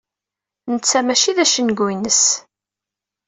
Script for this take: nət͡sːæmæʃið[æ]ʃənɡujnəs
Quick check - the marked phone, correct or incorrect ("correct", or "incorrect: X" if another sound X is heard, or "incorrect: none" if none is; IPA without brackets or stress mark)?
correct